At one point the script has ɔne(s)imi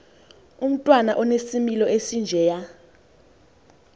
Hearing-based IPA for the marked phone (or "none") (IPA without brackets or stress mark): s